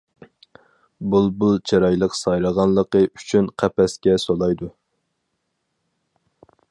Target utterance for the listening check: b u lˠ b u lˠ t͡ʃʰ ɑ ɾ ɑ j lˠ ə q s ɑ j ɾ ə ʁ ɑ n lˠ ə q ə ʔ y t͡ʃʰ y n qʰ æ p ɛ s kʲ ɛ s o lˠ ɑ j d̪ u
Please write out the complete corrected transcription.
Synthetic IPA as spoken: b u lˠ b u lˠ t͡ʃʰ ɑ ɾ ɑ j lˠ ə q s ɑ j ɾ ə ʁ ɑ n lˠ ə q ə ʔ y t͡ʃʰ y n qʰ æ p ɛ s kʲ ɛ s o lˠ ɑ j d̪ u

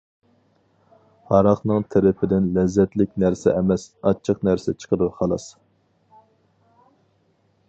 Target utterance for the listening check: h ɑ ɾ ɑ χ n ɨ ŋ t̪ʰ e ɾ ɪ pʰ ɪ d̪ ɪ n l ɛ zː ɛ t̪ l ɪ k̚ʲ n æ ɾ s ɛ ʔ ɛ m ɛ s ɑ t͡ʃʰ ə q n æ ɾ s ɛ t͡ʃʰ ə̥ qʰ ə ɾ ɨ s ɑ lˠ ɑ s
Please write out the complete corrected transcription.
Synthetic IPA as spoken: h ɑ ɾ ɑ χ n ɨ ŋ t̪ʰ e ɾ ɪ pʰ ɪ d̪ ɪ n l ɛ zː ɛ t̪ l ɪ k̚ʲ n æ ɾ s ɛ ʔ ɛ m ɛ s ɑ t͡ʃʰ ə q n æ ɾ s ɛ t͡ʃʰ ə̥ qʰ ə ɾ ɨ χ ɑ lˠ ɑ s

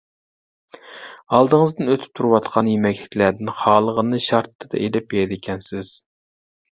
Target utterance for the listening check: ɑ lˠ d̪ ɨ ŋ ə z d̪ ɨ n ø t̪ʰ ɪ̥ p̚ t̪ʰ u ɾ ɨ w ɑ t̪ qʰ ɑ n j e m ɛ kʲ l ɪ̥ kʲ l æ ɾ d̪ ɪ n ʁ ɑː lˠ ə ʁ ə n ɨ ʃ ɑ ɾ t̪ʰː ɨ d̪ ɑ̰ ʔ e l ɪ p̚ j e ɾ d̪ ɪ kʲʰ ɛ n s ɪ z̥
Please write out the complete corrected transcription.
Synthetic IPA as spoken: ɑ lˠ d̪ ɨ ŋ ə z d̪ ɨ n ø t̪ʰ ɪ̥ p̚ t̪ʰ u ɾ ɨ w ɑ t̪ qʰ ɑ n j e m ɛ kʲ l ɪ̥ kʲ l æ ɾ d̪ ɪ n χ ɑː lˠ ə ʁ ə n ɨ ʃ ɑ ɾ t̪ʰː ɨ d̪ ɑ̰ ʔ e l ɪ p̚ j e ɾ d̪ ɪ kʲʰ ɛ n s ɪ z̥

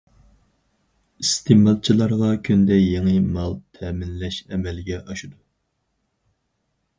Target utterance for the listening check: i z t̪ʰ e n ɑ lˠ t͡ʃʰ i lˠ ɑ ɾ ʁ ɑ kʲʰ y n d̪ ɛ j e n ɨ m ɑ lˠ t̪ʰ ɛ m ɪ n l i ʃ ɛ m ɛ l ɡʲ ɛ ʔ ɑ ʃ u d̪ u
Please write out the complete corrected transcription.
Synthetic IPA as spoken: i s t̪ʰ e m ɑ lˠ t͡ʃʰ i lˠ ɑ ɾ ʁ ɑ kʲʰ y n d̪ ɛ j e ŋ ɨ m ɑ lˠ t̪ʰ ɛ m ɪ n l ɛ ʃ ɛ m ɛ l ɡʲ ɛ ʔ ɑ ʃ u d̪ u

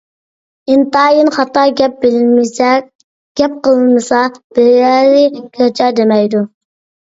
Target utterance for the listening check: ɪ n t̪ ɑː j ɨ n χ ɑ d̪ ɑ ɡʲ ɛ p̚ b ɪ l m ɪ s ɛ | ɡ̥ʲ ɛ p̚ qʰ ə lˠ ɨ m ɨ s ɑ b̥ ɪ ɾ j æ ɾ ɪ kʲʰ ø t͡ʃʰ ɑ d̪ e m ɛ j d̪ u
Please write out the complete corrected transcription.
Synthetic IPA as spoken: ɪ n t̪ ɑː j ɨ n χ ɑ t̪ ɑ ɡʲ ɛ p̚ b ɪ l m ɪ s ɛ | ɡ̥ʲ ɛ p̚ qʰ ə lˠ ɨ m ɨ s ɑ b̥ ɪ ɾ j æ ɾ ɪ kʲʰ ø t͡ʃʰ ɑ d̪ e m ɛ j d̪ u

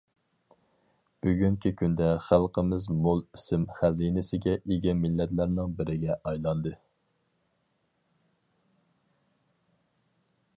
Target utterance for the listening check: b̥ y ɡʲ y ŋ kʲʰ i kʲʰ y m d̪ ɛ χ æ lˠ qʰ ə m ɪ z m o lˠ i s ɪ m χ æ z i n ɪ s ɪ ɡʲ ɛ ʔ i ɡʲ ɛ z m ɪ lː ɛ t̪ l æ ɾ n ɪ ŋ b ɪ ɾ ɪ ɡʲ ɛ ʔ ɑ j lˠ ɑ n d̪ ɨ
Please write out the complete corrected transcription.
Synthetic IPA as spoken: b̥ y ɡʲ y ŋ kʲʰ i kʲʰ y n d̪ ɛ χ æ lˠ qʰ ə m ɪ z m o lˠ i s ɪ m χ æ z i n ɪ s ɪ ɡʲ ɛ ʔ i ɡʲ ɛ m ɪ lː ɛ t̪ l æ ɾ n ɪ ŋ b ɪ ɾ ɪ ɡʲ ɛ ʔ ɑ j lˠ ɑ n d̪ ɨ

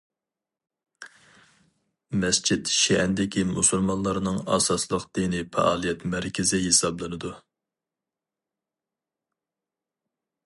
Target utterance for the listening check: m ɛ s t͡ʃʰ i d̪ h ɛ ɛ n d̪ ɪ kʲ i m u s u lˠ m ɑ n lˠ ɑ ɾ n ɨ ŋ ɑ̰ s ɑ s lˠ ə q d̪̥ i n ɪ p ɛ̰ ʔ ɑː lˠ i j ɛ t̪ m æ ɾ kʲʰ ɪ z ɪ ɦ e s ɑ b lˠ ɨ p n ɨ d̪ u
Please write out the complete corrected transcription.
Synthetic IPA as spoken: m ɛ s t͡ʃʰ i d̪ ʃ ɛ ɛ n d̪ ɪ kʲ i m u s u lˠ m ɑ n lˠ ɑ ɾ n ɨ ŋ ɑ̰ s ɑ s lˠ ə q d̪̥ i n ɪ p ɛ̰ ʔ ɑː lˠ i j ɛ t̪ m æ ɾ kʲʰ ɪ z ɪ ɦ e s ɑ b lˠ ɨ n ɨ d̪ u

